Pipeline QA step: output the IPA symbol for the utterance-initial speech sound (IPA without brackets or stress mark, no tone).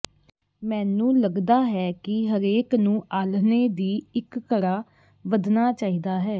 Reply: m